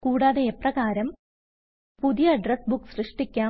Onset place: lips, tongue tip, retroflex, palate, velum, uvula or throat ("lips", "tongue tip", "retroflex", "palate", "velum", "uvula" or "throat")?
velum